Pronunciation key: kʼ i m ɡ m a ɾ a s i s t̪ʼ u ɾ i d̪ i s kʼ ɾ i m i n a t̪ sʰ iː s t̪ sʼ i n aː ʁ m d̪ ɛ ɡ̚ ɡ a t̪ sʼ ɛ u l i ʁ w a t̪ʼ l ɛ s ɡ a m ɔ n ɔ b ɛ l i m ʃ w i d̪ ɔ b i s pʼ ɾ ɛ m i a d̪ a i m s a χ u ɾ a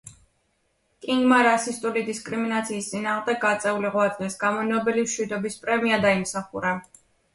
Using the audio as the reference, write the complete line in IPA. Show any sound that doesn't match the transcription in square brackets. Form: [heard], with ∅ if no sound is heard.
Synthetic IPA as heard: kʼ i [ŋ] ɡ m a ɾ a s i s t̪ʼ u [l] i d̪ i s kʼ ɾ i m i n a t̪ sʰ iː s t̪ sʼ i n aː ʁ m d̪ ɛ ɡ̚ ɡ a t̪ sʼ ɛ u l i ʁ w a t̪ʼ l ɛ s ɡ a m ɔ n ɔ b ɛ l i m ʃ w i d̪ ɔ b i s pʼ ɾ ɛ m i a d̪ a i m s a χ u ɾ a